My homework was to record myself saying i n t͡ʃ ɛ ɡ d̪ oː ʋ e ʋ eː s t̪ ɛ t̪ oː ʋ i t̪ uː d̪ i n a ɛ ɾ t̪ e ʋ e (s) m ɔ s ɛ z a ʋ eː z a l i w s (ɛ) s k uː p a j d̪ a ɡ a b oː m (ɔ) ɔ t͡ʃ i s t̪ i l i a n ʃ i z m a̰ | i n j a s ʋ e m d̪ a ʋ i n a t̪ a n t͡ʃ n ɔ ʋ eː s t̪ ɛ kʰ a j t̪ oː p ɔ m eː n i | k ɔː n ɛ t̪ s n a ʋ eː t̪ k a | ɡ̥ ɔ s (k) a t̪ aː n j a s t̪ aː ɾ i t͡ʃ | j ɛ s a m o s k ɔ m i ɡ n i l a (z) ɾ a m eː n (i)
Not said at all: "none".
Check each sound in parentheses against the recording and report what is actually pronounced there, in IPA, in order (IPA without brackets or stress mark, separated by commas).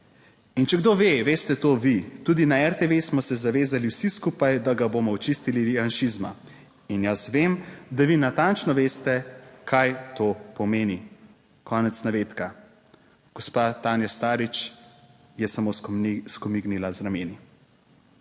s, i, ɔ, p, z, i